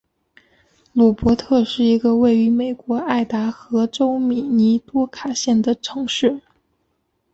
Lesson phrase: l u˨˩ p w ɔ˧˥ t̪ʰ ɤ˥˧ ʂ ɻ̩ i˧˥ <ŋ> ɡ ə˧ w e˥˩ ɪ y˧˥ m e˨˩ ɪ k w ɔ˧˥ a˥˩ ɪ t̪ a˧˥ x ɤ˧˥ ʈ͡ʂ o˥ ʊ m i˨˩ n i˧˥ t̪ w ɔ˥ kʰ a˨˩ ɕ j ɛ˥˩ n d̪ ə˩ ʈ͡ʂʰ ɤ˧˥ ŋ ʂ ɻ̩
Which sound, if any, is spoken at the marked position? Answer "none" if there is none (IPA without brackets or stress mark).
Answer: none